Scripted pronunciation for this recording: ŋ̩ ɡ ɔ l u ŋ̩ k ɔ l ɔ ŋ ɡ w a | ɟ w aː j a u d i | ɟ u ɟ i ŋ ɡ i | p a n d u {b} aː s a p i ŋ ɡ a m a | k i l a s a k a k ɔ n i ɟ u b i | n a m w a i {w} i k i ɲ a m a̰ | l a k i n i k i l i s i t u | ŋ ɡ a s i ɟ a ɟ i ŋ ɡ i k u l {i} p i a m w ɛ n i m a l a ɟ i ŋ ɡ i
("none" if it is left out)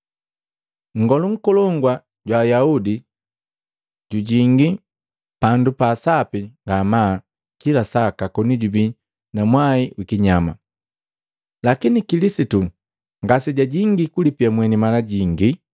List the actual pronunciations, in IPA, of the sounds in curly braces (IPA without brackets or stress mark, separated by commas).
p, w, i